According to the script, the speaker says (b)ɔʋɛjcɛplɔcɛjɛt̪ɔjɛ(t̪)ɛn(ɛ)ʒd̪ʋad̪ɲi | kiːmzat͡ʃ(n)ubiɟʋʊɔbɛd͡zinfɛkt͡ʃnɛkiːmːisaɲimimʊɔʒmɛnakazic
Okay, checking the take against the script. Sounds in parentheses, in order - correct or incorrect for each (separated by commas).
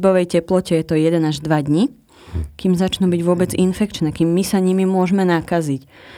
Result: correct, incorrect, incorrect, correct